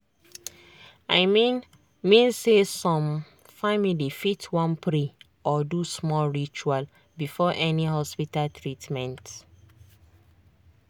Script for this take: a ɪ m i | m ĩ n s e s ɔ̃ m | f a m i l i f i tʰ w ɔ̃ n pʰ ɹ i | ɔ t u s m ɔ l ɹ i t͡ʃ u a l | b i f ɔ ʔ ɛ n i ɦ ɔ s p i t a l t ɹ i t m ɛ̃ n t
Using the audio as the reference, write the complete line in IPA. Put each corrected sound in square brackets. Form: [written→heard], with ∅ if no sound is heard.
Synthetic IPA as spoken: a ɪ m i | m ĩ n s e s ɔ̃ m | f a m i l i f i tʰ w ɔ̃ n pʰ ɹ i | ɔ [t→d] u s m ɔ l ɹ i t͡ʃ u a l | b i f ɔ ʔ ɛ n i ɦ ɔ s p i t a l t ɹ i t m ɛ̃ n t